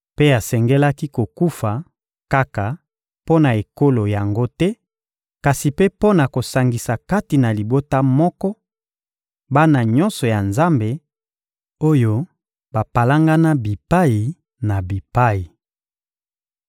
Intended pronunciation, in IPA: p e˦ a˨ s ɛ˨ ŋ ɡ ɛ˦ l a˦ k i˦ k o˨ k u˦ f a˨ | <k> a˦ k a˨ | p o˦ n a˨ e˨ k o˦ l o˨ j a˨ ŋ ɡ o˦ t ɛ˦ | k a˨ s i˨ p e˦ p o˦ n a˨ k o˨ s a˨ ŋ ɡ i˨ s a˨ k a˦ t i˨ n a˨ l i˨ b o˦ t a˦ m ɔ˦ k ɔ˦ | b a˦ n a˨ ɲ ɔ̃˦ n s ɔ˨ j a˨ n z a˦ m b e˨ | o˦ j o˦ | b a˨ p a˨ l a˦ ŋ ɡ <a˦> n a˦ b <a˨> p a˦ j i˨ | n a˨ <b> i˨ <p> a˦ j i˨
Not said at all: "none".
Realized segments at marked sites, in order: k, a˦, i˨, b, p

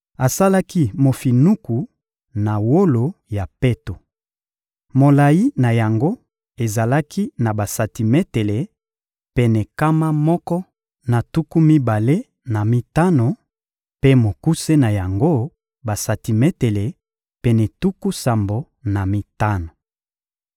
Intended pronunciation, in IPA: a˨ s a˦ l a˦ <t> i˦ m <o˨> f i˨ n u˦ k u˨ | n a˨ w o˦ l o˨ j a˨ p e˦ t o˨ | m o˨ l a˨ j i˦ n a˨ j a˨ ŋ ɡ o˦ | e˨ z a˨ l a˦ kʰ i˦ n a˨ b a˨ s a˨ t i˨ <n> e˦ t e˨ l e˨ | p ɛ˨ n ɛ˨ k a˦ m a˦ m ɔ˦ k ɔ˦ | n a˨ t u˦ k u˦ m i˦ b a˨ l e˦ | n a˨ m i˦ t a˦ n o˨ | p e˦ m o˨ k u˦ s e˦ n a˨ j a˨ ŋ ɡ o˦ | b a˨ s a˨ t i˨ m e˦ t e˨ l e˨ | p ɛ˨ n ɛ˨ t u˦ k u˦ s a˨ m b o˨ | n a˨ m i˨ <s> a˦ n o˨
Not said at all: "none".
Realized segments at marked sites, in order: k, o˨, m, t

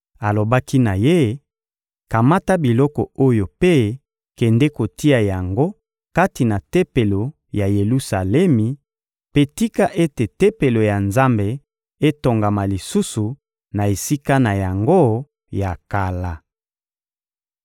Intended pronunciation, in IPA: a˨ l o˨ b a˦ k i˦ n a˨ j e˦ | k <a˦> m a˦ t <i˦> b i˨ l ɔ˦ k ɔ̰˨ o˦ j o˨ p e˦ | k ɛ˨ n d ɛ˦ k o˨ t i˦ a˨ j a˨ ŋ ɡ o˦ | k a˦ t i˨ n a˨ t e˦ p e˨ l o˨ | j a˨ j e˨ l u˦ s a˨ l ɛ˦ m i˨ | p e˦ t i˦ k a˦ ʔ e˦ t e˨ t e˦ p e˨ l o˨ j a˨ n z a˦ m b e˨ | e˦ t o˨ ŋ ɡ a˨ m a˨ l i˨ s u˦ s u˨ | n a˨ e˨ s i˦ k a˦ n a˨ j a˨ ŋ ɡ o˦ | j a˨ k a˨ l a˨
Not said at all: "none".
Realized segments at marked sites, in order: a˨, a˦

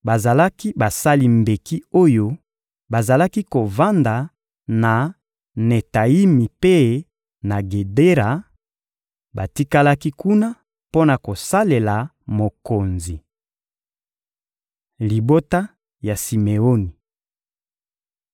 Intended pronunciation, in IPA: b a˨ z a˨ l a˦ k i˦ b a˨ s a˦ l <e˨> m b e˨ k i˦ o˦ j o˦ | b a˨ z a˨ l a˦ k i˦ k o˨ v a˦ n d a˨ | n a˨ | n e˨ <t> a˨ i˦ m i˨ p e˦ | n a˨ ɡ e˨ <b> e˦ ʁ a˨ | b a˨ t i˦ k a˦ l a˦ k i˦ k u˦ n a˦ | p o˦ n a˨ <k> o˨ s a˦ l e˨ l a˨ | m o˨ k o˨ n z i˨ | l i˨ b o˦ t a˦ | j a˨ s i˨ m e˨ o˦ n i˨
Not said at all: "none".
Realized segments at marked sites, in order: i˨, t, d, k

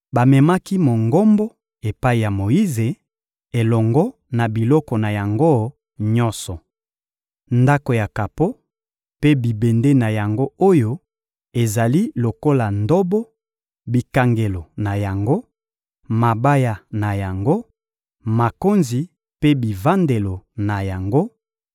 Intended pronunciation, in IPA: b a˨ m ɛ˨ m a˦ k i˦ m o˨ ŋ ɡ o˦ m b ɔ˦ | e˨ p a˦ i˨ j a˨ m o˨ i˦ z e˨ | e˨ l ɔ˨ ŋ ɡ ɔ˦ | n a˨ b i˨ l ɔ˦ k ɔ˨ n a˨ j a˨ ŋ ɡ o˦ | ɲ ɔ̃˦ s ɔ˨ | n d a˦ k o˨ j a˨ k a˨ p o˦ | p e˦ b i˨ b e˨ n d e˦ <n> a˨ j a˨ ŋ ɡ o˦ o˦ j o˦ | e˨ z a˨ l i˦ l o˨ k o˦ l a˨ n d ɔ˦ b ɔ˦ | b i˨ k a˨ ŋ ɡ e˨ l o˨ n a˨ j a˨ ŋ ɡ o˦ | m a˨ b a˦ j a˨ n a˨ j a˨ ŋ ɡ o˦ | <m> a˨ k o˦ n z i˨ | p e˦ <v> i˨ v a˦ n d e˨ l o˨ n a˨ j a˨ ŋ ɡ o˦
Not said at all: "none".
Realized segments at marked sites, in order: n, m, b

